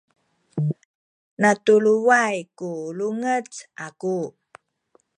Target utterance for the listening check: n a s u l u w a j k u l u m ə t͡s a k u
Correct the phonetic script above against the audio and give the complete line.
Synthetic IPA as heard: n a t u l u w a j k u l u ŋ ə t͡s a k u

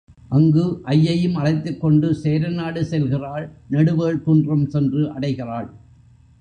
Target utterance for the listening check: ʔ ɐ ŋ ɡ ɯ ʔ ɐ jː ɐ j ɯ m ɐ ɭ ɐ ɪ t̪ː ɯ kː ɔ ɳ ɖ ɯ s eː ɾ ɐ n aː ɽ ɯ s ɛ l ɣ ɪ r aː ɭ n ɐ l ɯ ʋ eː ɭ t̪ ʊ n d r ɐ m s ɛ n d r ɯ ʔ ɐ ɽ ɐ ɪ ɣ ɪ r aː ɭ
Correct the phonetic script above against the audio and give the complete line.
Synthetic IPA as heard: ʔ ɐ ŋ ɡ ɯ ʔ ɐ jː ɐ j ɯ m ɐ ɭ ɐ ɪ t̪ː ɯ kː ɔ ɳ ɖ ɯ s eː ɾ ɐ n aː ɽ ɯ s ɛ l ɣ ɪ r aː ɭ n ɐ ɽ ɯ ʋ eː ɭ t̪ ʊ n d r ɐ m s ɛ n d r ɯ ʔ ɐ ɽ ɐ ɪ ɣ ɪ r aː ɭ

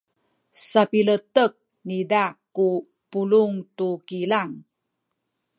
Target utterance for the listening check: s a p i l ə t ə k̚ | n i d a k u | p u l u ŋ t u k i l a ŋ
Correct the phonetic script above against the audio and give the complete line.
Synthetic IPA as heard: s a p i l ə t ə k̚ | n i d a k u | p u l u ŋ t u k i l a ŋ

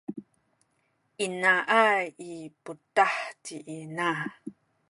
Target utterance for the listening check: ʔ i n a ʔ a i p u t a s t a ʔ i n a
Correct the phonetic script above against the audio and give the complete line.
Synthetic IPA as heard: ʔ i n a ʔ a i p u t a ħ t i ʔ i n a

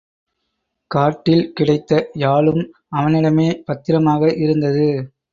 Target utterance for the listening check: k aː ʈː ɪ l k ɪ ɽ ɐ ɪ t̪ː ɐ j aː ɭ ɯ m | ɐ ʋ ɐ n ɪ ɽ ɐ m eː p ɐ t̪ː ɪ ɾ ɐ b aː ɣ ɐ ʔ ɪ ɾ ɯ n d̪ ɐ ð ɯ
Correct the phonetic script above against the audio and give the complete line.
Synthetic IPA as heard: k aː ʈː ɪ l k ɪ ɽ ɐ ɪ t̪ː ɐ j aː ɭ ɯ m | ɐ ʋ ɐ n ɪ ɽ ɐ m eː p ɐ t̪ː ɪ ɾ ɐ m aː ɣ ɐ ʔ ɪ ɾ ɯ n d̪ ɐ ð ɯ

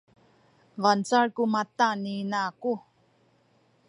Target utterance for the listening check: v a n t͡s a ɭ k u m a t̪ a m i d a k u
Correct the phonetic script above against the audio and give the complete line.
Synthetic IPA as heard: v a n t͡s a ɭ k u m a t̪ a n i n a k u

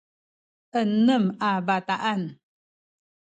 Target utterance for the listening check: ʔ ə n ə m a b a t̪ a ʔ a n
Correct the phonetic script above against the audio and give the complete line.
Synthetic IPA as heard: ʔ ə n ə m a b a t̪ a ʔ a n

